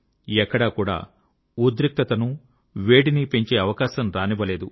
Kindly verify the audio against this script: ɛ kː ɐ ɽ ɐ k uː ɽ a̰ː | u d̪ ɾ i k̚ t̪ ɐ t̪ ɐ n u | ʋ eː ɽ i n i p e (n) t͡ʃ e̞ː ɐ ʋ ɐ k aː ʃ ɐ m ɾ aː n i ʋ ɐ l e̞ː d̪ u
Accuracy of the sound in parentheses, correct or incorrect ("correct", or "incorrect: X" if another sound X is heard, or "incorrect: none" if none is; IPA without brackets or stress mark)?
incorrect: ɲ